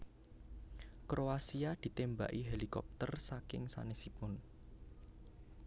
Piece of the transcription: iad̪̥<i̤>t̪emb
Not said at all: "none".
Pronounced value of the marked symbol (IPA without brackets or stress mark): i̤